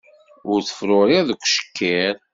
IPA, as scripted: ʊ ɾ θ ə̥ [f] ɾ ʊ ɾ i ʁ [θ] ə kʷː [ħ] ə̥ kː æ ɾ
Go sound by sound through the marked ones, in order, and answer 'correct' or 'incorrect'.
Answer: correct, incorrect: ð, incorrect: ʃ

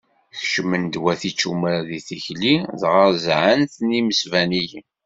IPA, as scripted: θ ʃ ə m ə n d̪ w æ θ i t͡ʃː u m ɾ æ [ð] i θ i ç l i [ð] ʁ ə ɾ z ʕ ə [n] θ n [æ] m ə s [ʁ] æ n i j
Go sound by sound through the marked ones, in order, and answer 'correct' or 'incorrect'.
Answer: correct, correct, correct, incorrect: i, incorrect: v

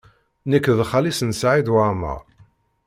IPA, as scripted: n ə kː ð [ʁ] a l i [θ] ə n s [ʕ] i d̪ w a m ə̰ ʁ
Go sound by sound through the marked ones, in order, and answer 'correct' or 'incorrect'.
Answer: incorrect: χ, incorrect: s, correct

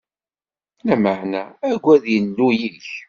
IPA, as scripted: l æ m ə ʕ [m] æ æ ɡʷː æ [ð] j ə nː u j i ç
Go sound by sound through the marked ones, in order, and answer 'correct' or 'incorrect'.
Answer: incorrect: n, correct

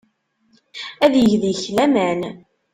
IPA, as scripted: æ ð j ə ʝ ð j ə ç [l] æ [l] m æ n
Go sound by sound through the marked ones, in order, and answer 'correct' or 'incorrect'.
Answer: correct, incorrect: none

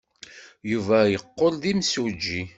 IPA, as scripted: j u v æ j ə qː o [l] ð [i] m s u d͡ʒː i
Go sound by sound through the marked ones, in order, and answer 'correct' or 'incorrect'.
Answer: correct, correct

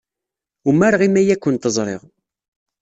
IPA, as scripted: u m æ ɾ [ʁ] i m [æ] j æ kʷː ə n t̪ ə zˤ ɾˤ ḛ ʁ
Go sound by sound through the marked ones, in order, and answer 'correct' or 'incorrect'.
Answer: correct, correct

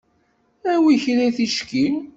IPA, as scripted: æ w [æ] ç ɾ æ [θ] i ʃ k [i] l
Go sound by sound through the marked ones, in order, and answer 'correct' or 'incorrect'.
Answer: incorrect: i, correct, correct

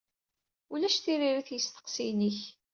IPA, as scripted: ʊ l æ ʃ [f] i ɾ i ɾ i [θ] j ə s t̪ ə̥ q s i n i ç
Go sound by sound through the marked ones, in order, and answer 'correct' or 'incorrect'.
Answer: incorrect: θ, correct

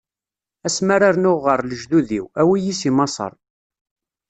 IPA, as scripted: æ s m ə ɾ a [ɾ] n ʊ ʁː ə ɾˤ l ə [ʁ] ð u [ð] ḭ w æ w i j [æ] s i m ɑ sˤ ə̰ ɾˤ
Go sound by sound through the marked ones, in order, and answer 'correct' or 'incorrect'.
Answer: correct, incorrect: ʒ, correct, incorrect: i

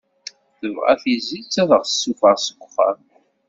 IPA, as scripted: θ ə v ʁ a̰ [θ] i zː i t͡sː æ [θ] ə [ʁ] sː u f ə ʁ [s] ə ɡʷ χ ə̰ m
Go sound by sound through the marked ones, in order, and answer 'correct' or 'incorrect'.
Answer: correct, incorrect: ð, correct, correct

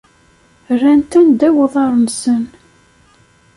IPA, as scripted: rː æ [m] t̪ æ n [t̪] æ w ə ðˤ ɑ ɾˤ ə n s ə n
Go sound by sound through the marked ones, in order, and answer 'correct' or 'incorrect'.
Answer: incorrect: n, incorrect: d̪

